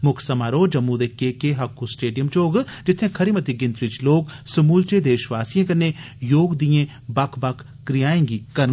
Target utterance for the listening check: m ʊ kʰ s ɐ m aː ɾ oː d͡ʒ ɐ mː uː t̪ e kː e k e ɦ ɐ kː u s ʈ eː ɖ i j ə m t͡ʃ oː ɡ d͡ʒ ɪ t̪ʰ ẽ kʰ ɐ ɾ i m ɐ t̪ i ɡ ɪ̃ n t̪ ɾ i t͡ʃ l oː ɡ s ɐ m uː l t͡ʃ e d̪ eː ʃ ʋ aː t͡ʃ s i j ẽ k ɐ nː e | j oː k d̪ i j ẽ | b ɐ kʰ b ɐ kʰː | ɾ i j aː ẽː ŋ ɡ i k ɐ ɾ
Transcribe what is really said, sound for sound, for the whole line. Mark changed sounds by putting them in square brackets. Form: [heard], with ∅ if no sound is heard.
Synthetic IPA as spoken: m ʊ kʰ s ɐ m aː ɾ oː d͡ʒ ɐ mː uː [d̪] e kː e k e ɦ ɐ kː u s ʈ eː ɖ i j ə m t͡ʃ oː ɡ d͡ʒ ɪ t̪ʰ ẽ kʰ ɐ ɾ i m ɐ t̪ i ɡ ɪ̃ n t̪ ɾ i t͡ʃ l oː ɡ s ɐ m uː l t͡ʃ e d̪ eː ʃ ʋ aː [∅] s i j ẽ k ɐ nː e | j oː [ɡ] d̪ i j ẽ | b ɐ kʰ b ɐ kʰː | ɾ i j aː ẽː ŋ ɡ i k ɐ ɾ

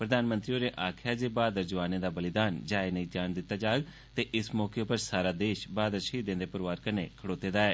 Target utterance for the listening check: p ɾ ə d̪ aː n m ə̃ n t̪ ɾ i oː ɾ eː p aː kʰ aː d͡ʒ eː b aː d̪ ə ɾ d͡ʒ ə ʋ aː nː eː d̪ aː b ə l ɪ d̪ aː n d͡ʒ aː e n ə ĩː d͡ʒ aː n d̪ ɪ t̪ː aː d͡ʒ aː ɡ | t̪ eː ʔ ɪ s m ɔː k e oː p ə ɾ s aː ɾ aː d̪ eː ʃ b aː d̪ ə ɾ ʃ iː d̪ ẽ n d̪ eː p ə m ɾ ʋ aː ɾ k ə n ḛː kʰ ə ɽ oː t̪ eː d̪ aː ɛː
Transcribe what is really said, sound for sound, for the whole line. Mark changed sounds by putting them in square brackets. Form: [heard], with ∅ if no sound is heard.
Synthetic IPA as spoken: p ɾ ə d̪ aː n m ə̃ n t̪ ɾ i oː ɾ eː [ʔ] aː kʰ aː d͡ʒ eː b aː d̪ ə ɾ d͡ʒ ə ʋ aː [n] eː d̪ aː b ə l ɪ d̪ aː n d͡ʒ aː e n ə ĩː d͡ʒ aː n d̪ ɪ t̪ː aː d͡ʒ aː ɡ | t̪ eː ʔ ɪ s m ɔː k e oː p ə ɾ s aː ɾ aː d̪ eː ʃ b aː d̪ ə ɾ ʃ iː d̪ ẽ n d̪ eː p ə [∅] ɾ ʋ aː ɾ k ə n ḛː kʰ ə ɽ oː t̪ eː d̪ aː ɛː

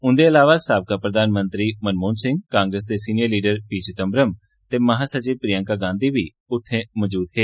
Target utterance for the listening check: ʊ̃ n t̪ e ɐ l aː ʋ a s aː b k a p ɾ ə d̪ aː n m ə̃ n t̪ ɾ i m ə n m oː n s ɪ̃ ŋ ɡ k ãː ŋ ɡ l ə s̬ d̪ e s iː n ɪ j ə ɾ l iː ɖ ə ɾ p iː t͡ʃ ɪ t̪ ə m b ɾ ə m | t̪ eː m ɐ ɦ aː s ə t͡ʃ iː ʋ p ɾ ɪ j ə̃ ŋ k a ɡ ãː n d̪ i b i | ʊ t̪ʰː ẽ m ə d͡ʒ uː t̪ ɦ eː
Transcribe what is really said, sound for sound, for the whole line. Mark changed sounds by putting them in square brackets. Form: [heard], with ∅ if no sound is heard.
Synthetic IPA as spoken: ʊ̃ n [d̪] e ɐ l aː ʋ a s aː b k a p ɾ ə d̪ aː n m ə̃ n t̪ ɾ i m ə n m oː n s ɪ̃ ŋ ɡ k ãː ŋ ɡ [ɾ] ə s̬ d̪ e s iː n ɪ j ə ɾ l iː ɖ ə ɾ p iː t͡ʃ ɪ t̪ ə m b ɾ ə m | t̪ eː m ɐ ɦ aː s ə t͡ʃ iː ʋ p ɾ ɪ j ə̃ ŋ k a ɡ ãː n d̪ i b i | ʊ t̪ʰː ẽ m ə d͡ʒ uː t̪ ɦ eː

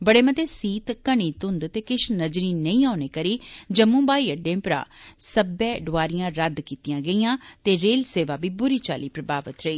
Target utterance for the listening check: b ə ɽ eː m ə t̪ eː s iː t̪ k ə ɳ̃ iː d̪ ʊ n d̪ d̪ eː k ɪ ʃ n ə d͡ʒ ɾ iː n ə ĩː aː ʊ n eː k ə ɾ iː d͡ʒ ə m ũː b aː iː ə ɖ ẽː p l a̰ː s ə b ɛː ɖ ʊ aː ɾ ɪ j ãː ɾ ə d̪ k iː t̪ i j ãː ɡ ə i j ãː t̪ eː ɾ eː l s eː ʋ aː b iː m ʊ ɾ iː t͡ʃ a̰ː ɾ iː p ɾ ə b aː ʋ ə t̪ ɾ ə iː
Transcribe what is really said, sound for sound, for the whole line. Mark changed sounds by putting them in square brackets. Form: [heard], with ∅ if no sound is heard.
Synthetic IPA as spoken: b ə ɽ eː m ə t̪ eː s iː t̪ k ə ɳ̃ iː [t̪] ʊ n d̪ [t̪] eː k ɪ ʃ n ə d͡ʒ ɾ iː n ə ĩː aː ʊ n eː k ə ɾ iː d͡ʒ ə m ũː b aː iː ə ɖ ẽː p [ɾ] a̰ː s ə b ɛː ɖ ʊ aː ɾ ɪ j ãː ɾ ə d̪ k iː t̪ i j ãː ɡ ə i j ãː t̪ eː ɾ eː l s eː ʋ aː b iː [b] ʊ ɾ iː t͡ʃ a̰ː [l] iː p ɾ ə b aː ʋ ə t̪ ɾ ə iː

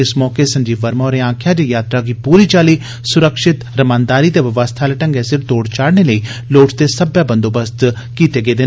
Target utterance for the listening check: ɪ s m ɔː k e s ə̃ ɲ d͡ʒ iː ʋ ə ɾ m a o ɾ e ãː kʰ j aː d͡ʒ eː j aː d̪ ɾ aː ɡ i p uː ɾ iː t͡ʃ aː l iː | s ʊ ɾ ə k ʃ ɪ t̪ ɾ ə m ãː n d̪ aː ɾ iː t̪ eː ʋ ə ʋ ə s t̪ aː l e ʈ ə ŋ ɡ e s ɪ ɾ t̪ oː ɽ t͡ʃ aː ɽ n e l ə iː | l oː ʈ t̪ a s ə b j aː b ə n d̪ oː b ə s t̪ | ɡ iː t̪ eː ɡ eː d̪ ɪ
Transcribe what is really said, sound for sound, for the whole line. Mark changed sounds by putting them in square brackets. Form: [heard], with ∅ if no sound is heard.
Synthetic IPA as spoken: ɪ s m ɔː k e s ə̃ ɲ d͡ʒ iː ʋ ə ɾ m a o ɾ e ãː kʰ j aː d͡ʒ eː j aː [t̪] ɾ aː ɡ i p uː ɾ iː t͡ʃ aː l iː | s ʊ ɾ ə k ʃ ɪ t̪ ɾ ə m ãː n d̪ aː ɾ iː t̪ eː ʋ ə ʋ ə s [t̪ʰ] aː l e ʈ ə ŋ ɡ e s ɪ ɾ t̪ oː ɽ t͡ʃ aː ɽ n e l ə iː | l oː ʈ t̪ [e] s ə b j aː b ə n d̪ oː b ə s t̪ | [k] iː t̪ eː ɡ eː d̪ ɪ

